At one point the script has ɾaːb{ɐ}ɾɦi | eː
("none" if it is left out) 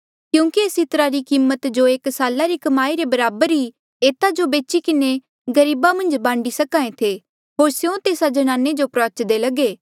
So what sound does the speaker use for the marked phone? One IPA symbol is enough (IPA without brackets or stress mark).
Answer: ə